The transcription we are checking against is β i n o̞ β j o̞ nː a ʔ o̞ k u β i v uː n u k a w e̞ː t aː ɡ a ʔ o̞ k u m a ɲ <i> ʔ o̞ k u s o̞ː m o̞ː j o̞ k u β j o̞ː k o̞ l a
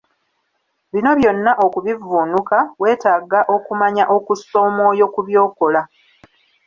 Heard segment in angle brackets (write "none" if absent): a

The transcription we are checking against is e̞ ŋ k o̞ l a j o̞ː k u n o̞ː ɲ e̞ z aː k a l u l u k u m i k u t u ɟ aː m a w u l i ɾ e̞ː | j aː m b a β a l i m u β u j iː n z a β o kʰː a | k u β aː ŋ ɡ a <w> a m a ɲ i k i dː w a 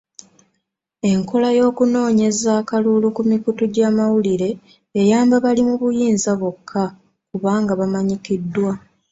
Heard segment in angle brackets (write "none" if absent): β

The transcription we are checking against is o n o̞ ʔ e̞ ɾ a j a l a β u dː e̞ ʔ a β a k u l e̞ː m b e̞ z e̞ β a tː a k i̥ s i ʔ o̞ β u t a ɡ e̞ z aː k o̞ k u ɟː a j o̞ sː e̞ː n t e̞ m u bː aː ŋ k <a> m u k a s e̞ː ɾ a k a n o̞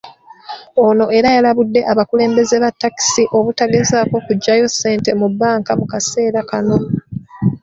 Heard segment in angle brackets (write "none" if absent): a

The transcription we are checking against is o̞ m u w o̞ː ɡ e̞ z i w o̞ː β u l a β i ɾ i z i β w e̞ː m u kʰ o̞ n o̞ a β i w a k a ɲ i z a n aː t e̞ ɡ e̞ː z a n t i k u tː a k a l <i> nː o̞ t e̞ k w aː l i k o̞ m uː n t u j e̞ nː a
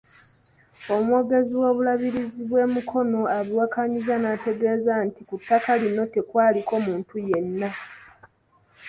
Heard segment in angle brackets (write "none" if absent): i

